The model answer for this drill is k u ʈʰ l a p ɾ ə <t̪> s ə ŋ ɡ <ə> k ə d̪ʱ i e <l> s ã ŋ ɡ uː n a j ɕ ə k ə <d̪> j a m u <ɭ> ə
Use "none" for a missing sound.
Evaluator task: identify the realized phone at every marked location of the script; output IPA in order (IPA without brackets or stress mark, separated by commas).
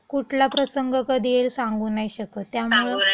none, ə, l, t̪, ɭ